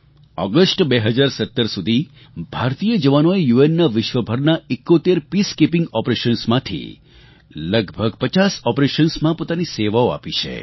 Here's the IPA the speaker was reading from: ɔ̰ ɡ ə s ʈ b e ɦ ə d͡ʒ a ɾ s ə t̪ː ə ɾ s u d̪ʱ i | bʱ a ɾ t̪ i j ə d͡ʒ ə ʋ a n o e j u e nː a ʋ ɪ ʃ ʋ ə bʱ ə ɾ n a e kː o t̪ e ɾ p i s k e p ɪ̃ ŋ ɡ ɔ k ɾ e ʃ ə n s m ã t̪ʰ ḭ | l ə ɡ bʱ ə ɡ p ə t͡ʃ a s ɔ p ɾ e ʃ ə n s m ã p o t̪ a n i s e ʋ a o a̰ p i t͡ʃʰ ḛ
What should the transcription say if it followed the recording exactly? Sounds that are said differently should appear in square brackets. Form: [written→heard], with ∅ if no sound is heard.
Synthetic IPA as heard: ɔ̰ ɡ ə s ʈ b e ɦ ə d͡ʒ a ɾ s ə t̪ː ə ɾ s u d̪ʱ i | bʱ a ɾ t̪ i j ə d͡ʒ ə ʋ a n o e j u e nː a ʋ ɪ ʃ ʋ ə bʱ ə ɾ n a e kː o t̪ e ɾ p i s k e p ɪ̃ ŋ ɡ ɔ [k→p] ɾ e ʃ ə n s m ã t̪ʰ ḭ | l ə ɡ bʱ ə ɡ p ə t͡ʃ a s ɔ p ɾ e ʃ ə n s m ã p o t̪ a n i s e ʋ a o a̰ p i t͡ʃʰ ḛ

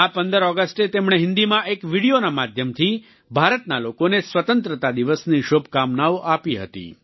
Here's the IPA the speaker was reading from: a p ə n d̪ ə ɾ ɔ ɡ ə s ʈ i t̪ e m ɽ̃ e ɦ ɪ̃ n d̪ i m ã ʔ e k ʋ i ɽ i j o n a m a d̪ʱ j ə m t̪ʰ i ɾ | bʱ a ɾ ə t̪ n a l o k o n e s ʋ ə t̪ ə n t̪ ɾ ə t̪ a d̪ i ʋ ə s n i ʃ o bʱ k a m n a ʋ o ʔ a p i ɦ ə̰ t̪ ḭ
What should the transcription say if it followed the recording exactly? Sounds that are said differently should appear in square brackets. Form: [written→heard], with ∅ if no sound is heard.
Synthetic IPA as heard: a p ə n d̪ ə ɾ ɔ ɡ ə s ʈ [i→e] t̪ e m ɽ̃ e ɦ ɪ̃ n d̪ i m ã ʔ e k ʋ i ɽ i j o n a m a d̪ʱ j ə m t̪ʰ i [ɾ→∅] | bʱ a ɾ ə t̪ n a l o k o n e s ʋ ə t̪ ə n t̪ ɾ ə t̪ a d̪ i ʋ ə s n i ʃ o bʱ k a m n a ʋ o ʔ a p i ɦ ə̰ t̪ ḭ

